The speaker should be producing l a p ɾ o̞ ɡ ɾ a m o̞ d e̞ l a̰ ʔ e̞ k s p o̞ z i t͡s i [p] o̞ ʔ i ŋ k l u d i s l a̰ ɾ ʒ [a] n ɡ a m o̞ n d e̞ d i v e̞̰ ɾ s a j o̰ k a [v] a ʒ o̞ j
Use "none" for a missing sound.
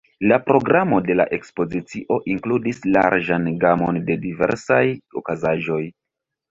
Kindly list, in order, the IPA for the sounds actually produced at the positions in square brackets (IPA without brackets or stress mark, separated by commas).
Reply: ʔ, a, z